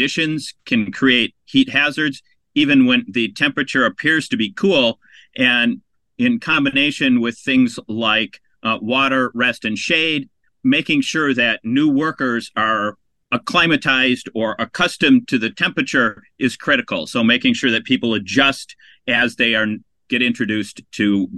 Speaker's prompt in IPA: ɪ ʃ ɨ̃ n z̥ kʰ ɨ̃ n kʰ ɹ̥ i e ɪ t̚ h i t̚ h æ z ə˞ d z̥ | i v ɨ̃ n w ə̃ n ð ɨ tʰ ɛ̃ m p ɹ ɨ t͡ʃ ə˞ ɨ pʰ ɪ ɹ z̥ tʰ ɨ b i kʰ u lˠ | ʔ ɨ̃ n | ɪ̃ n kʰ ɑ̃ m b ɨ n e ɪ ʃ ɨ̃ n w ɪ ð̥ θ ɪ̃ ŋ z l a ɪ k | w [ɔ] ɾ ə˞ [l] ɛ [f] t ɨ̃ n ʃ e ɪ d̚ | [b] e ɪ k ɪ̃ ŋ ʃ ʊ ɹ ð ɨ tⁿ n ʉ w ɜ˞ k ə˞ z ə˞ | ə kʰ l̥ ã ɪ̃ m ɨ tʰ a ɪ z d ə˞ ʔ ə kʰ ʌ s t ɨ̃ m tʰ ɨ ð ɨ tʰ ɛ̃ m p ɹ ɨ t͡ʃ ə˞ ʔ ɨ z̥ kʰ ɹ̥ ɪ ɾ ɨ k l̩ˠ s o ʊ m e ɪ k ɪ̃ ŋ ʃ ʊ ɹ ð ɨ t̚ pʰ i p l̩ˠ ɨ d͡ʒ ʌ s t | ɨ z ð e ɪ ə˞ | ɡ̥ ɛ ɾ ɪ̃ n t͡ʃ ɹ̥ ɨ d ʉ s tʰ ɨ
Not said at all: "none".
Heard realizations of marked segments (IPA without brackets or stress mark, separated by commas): ɔ, ɹ, s, m